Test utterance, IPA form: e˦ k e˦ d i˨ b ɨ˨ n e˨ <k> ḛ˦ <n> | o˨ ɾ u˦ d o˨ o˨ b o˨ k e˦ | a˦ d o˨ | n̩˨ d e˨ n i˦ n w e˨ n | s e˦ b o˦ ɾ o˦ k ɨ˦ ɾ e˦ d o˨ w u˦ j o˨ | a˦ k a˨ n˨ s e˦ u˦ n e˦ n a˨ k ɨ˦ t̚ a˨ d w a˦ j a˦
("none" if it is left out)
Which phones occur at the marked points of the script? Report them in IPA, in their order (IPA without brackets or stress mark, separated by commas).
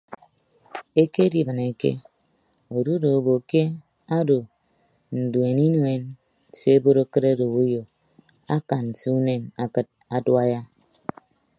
k, none